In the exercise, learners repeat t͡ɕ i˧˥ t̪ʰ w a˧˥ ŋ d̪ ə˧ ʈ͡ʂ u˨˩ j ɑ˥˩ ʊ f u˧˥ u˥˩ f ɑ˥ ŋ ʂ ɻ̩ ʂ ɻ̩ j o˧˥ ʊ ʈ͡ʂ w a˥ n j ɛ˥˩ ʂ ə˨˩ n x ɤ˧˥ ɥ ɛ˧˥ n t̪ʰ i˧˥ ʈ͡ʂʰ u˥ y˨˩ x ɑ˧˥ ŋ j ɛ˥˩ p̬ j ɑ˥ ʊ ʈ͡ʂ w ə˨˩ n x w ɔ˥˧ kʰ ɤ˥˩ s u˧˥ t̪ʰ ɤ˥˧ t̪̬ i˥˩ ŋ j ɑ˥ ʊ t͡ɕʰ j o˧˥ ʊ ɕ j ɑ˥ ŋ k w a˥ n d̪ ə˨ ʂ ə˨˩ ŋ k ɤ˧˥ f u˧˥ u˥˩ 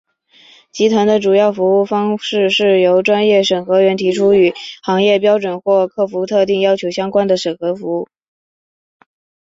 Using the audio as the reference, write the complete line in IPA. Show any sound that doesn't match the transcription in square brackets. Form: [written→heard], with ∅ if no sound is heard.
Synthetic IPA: t͡ɕ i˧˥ t̪ʰ w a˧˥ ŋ d̪ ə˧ ʈ͡ʂ u˨˩ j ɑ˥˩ ʊ f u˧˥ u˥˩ f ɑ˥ ŋ ʂ ɻ̩ ʂ ɻ̩ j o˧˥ ʊ ʈ͡ʂ w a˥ n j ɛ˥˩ ʂ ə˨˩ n x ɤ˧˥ ɥ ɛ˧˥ n t̪ʰ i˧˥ ʈ͡ʂʰ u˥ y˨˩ x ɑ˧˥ ŋ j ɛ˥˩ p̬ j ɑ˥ ʊ ʈ͡ʂ w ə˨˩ n x w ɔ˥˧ kʰ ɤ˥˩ [s→f] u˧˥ t̪ʰ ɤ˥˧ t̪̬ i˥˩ ŋ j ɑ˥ ʊ t͡ɕʰ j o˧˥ ʊ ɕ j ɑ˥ ŋ k w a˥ n d̪ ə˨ ʂ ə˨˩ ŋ [k→x] ɤ˧˥ f u˧˥ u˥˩